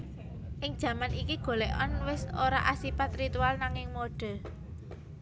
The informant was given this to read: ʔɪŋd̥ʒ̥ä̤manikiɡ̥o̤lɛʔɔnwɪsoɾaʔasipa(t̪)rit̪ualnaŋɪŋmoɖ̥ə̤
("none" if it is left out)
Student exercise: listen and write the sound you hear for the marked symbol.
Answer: t̪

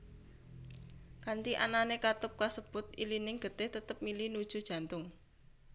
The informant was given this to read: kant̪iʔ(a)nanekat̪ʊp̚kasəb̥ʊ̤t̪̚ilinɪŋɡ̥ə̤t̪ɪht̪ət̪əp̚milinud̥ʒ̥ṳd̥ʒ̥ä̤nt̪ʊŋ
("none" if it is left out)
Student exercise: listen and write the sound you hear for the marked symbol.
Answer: a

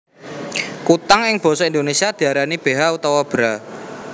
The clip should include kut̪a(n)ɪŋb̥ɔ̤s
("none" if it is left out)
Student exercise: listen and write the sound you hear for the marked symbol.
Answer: ŋ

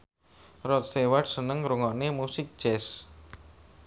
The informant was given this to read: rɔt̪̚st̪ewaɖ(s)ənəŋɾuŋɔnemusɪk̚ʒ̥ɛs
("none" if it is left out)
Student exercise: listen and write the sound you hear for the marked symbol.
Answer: s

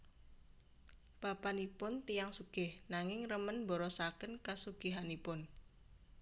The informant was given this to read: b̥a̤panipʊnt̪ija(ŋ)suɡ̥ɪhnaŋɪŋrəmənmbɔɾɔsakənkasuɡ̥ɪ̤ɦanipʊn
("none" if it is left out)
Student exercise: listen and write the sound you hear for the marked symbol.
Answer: ŋ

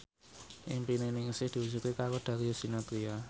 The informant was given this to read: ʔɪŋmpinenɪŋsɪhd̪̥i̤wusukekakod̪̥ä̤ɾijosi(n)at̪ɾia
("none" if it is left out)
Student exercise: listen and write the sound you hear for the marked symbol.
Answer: n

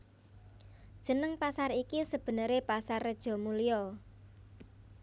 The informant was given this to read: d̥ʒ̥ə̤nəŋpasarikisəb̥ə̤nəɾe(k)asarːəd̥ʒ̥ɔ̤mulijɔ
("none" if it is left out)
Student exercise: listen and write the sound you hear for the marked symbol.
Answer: p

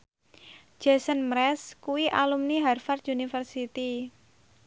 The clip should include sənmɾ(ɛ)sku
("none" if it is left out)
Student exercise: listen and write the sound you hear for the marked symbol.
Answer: ɛ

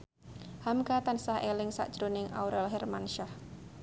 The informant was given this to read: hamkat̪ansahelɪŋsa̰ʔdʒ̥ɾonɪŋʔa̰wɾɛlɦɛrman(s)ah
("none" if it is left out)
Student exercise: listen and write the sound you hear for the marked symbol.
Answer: ʃ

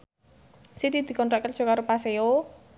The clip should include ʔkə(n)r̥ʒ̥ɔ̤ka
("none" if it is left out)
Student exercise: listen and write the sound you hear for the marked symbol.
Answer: none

